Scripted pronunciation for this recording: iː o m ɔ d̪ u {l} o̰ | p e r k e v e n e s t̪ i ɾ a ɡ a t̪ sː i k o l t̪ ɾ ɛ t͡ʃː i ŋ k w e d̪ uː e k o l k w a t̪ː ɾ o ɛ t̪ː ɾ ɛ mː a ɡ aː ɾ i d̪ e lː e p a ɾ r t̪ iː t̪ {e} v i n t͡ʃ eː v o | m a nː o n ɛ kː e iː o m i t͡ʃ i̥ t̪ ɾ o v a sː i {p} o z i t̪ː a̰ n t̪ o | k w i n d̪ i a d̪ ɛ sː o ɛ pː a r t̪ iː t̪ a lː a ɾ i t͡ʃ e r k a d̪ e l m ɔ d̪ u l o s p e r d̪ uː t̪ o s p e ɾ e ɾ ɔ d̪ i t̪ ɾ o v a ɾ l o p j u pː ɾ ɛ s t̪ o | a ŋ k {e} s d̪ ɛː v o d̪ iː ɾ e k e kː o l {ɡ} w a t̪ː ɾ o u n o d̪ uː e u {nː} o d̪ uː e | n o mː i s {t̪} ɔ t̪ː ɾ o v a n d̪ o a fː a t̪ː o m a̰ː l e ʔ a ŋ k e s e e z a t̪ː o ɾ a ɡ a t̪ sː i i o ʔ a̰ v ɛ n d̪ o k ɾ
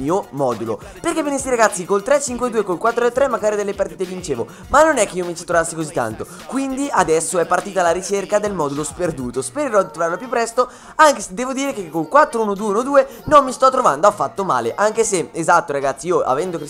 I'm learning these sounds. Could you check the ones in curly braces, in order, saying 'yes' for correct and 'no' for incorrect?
yes, yes, no, yes, no, no, yes

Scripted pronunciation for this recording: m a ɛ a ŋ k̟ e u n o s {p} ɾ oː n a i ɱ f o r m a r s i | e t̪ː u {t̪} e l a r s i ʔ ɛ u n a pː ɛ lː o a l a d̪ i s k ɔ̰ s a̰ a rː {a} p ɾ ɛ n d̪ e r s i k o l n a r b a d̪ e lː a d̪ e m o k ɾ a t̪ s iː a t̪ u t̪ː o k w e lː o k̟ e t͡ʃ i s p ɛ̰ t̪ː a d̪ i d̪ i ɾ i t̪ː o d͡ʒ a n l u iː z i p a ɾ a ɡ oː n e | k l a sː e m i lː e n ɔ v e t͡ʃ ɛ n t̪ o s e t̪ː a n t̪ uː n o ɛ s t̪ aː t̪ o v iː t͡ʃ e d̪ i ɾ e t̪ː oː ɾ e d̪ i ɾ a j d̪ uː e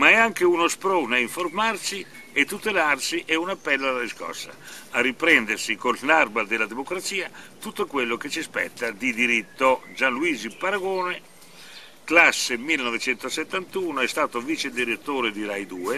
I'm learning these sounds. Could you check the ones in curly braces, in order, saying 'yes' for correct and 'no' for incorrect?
yes, yes, no

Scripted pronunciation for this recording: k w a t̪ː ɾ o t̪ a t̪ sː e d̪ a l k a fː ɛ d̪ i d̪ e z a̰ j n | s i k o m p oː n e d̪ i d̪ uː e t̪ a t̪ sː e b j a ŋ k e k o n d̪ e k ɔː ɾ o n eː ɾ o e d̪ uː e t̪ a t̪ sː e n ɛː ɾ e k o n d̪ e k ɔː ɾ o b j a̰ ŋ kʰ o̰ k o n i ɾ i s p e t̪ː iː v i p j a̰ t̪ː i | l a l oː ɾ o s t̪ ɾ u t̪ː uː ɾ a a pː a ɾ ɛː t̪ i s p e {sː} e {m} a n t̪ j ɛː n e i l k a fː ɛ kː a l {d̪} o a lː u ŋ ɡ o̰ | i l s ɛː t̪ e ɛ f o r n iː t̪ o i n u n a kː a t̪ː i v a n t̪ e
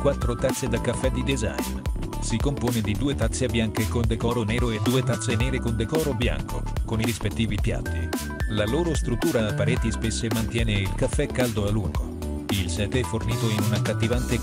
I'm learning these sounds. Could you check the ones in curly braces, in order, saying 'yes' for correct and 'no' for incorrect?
yes, yes, yes

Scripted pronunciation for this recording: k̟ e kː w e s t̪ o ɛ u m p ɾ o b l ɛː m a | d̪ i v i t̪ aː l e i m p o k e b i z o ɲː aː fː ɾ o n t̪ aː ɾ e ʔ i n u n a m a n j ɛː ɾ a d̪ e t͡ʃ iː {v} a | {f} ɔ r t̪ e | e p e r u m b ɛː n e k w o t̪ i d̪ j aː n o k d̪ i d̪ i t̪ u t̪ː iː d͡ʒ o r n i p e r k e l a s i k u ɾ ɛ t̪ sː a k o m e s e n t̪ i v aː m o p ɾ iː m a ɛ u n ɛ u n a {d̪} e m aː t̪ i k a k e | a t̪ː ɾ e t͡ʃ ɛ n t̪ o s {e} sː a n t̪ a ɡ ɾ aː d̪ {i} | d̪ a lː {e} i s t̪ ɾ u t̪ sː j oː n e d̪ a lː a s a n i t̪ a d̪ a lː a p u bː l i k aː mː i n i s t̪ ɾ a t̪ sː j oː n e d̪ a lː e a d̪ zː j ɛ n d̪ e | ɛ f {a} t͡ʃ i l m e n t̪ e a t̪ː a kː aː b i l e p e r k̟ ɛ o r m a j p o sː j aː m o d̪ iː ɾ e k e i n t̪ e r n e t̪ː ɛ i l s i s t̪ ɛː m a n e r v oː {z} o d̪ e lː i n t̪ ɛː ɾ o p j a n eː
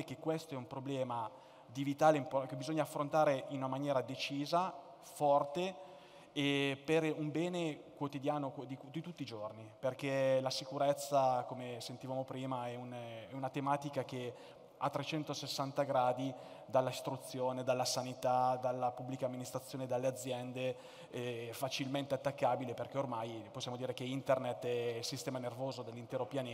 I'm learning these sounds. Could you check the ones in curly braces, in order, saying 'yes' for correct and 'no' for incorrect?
no, yes, no, yes, yes, no, yes, yes

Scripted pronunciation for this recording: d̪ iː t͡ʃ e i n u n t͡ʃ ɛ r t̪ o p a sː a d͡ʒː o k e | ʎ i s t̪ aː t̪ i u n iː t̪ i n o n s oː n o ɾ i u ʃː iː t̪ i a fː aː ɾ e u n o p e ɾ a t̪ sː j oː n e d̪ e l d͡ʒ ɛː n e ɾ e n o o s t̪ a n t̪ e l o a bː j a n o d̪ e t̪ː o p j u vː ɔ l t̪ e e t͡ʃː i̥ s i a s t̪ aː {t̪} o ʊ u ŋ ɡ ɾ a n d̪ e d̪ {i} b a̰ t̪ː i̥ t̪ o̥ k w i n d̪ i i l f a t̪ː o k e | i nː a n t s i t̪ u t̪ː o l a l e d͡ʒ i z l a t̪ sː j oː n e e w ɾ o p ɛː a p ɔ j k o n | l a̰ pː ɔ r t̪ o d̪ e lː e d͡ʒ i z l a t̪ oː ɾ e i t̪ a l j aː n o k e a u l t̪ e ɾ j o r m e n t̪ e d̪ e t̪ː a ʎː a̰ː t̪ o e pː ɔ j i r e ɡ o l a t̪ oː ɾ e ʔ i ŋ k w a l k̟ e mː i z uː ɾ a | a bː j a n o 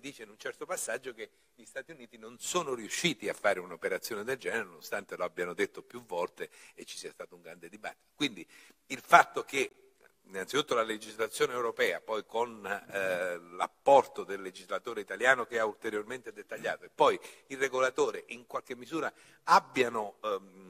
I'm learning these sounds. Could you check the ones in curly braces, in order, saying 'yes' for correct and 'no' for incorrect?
yes, yes

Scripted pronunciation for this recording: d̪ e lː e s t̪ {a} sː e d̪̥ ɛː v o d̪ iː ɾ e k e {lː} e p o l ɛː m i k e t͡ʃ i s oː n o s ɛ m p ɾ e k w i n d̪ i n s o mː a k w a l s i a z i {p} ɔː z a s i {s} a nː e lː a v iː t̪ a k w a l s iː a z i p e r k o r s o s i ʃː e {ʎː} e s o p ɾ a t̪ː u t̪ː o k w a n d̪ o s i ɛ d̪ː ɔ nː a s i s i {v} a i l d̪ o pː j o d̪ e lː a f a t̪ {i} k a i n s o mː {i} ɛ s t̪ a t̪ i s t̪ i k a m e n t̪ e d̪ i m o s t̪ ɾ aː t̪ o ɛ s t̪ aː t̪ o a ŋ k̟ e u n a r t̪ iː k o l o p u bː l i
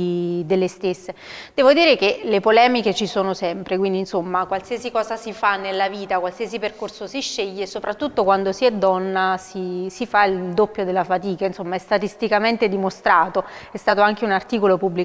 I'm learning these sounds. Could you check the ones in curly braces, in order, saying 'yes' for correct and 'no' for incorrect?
no, no, no, no, yes, no, no, no

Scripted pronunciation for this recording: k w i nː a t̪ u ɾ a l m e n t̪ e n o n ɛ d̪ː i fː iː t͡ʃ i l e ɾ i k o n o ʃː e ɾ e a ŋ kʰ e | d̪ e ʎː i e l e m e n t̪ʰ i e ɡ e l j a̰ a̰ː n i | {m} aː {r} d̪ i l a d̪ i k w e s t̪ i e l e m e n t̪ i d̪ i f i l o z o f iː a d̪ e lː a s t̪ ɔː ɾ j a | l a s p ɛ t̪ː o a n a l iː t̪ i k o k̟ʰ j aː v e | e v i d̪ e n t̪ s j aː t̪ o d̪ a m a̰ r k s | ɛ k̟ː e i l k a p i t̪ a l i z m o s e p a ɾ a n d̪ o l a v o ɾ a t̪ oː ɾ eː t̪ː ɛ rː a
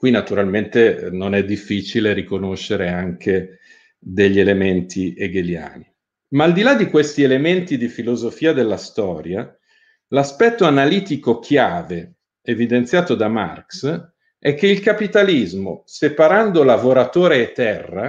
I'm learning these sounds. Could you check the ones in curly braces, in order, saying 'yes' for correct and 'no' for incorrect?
yes, no

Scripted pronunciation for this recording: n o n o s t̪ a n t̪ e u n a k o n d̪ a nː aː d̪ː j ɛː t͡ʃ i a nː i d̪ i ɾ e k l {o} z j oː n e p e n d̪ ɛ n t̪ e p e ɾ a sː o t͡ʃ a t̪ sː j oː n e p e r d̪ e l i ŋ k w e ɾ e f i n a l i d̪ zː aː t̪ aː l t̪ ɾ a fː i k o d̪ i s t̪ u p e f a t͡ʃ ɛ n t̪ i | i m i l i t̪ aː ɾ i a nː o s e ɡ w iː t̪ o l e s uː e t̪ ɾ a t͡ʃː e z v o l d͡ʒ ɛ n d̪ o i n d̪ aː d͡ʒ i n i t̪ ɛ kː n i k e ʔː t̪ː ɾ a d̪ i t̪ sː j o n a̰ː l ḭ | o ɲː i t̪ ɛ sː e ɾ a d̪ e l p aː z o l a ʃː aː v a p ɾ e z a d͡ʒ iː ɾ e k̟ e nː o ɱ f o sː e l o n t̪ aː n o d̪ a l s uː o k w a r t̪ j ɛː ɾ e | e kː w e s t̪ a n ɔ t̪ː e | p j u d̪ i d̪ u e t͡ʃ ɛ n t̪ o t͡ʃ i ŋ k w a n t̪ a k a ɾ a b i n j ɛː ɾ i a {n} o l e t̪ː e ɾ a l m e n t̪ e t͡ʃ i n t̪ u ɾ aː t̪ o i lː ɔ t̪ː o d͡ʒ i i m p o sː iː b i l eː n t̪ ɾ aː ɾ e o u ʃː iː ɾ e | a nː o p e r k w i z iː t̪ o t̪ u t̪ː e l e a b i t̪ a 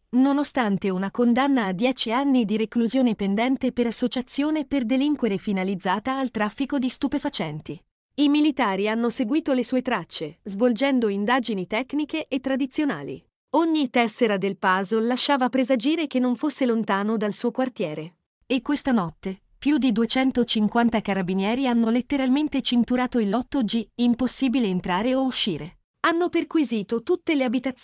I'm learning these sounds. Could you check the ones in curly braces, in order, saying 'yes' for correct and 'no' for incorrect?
no, no

